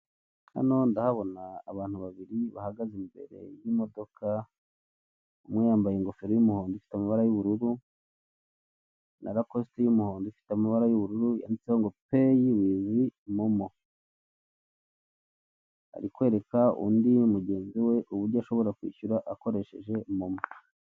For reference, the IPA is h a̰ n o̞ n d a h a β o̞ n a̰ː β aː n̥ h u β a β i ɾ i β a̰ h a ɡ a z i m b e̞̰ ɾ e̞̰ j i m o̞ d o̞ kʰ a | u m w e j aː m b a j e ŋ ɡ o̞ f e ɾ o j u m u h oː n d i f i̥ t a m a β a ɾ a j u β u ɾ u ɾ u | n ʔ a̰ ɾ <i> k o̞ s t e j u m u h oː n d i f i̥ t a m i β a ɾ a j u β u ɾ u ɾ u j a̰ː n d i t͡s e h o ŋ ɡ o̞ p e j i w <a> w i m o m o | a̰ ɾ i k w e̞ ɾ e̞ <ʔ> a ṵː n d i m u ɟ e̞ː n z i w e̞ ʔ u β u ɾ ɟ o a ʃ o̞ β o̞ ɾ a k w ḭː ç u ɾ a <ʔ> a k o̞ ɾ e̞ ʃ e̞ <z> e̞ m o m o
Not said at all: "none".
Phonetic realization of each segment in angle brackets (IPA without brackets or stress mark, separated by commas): a, i, k, ʔ, ʒ